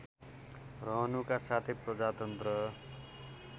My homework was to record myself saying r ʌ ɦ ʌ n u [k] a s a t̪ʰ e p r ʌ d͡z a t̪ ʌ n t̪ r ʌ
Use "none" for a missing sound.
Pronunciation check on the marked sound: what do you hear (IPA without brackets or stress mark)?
k